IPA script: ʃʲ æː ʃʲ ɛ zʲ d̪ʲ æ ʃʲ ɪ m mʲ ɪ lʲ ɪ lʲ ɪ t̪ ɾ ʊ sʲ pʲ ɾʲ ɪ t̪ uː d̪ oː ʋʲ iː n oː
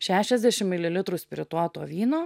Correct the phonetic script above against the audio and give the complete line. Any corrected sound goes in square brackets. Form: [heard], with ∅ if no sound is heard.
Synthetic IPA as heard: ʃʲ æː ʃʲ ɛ zʲ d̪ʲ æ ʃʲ ɪ m mʲ ɪ lʲ ɪ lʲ ɪ t̪ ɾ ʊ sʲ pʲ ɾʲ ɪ t̪ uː [t̪] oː ʋʲ iː n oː